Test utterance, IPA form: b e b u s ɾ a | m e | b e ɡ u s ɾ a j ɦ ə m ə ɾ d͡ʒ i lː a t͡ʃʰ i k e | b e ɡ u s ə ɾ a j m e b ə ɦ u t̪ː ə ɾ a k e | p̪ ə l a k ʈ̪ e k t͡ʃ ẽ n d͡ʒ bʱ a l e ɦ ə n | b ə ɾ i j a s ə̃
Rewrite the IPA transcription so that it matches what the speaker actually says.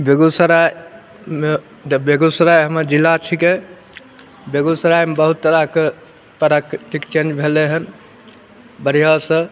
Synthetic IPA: b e ɡ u s ɾ a | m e | b e ɡ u s ɾ a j ɦ ə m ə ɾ d͡ʒ i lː a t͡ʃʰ i k e | b e ɡ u s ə ɾ a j m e b ə ɦ u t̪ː ə ɾ a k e | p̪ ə ɾ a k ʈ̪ i k t͡ʃ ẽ n d͡ʒ bʱ e l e ɦ ə n | b ə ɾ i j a s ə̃